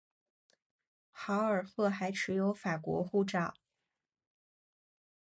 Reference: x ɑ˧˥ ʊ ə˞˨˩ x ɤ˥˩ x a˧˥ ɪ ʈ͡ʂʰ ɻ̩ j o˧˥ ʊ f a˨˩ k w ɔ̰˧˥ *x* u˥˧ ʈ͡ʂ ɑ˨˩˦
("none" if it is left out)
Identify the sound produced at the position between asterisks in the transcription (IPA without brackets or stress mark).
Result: x